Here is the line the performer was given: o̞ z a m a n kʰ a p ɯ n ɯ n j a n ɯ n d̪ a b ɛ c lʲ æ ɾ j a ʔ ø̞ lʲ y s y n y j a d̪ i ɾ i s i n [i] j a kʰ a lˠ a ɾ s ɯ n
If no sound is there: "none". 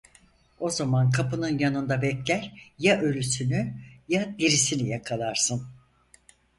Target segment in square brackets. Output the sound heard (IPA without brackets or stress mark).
i